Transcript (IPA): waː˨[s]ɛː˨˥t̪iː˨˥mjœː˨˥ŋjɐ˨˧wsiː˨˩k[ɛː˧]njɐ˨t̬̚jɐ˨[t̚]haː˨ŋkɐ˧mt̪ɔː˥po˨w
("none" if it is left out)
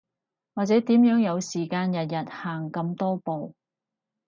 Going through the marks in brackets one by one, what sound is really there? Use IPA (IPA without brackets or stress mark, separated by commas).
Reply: t͡s, aː˧, t̚